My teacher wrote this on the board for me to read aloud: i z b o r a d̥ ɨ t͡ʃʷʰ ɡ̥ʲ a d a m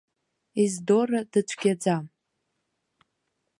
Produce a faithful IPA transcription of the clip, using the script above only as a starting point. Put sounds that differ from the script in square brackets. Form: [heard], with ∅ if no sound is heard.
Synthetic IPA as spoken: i z [d] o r a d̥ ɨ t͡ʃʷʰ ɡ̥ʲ a [d͡z] a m